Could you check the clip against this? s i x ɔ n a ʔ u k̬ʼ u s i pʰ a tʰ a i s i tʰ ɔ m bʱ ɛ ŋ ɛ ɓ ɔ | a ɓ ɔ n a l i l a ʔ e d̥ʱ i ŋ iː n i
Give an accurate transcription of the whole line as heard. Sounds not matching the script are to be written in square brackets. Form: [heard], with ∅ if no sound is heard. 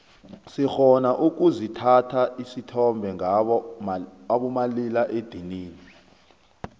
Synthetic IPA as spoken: s i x ɔ n a ʔ u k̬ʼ u [z] i [tʰ] a tʰ a i s i tʰ ɔ m bʱ ɛ ŋ [a] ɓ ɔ | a ɓ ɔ [m] a l i l a ʔ e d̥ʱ i [n] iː n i